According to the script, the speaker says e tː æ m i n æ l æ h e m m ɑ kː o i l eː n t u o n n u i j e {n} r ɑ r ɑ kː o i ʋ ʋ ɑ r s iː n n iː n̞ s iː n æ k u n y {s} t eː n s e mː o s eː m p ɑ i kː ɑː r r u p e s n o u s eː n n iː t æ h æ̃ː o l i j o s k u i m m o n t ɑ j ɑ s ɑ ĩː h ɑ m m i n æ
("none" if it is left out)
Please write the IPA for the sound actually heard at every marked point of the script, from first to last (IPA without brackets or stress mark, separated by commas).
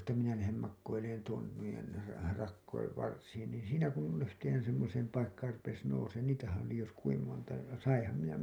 n, h